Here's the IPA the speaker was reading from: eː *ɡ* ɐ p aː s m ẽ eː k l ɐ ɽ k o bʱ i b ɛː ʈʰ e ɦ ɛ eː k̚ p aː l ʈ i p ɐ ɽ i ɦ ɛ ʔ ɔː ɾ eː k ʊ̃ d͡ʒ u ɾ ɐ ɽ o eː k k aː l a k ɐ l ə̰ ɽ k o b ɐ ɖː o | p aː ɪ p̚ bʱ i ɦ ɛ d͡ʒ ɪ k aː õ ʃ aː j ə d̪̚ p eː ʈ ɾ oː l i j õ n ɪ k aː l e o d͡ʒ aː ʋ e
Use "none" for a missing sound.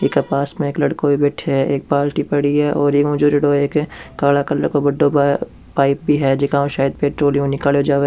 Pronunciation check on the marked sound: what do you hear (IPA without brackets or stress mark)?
k